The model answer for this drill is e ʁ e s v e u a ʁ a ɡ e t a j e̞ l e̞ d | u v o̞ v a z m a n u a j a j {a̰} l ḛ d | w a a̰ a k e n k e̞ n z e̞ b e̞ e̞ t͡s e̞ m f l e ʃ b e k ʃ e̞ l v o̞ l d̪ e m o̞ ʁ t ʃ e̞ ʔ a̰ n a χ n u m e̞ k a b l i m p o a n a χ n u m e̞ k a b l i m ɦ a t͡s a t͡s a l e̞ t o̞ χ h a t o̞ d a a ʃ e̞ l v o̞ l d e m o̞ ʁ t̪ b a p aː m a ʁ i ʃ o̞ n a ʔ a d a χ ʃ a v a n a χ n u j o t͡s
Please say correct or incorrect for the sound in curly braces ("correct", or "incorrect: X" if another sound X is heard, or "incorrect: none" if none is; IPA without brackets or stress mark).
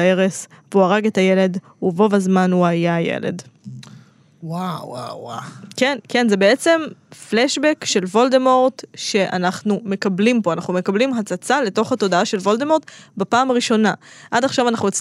incorrect: ḛ